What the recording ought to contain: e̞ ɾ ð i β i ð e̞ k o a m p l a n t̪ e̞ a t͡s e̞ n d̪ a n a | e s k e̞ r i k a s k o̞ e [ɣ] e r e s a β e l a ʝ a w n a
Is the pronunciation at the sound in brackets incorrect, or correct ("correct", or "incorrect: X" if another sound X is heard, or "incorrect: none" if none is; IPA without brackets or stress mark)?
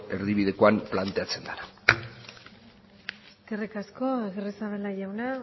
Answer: correct